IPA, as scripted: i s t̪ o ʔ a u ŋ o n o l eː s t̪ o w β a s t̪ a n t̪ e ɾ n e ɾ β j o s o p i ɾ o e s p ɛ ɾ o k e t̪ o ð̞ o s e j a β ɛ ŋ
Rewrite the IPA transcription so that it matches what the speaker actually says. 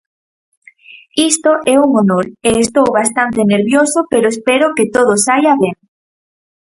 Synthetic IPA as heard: i s t̪ o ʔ ɛ u ŋ o n o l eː s t̪ o w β a s t̪ a n t̪ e n e ɾ β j o s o p e ɾ o e s p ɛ ɾ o k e t̪ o ð̞ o s a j a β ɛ ŋ